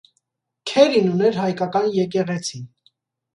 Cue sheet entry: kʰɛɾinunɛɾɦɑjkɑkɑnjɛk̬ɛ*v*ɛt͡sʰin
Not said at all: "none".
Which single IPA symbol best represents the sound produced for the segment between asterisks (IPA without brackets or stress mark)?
ʁ